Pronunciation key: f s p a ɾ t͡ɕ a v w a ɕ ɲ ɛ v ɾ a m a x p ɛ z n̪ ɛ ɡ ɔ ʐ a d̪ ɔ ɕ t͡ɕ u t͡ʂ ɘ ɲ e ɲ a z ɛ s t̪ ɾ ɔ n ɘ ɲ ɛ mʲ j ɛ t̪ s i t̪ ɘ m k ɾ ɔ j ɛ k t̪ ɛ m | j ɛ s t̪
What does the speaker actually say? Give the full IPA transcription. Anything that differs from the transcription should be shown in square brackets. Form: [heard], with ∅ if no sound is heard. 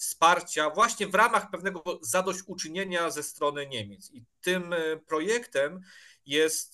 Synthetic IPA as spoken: f s p a ɾ t͡ɕ a v w a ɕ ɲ ɛ v ɾ a m a x p ɛ [v] n̪ ɛ ɡ ɔ [z] a d̪ ɔ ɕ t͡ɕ u t͡ʂ ɘ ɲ e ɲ a z ɛ s t̪ ɾ ɔ n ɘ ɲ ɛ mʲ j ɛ t̪ s i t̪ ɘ m [p] ɾ ɔ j ɛ k t̪ ɛ m | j ɛ s t̪